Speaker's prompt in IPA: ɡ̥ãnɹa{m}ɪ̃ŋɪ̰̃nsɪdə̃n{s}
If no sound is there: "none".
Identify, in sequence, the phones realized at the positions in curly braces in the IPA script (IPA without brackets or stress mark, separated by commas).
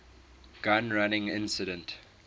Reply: n, t